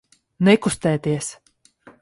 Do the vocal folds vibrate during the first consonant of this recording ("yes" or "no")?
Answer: yes